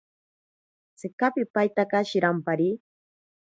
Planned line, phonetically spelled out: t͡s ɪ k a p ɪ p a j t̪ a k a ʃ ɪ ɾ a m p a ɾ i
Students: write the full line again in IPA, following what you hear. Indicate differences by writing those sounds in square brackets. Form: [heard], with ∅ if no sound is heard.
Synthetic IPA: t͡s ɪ k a p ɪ p a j t̪ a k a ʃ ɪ ɾ a m p a ɾ i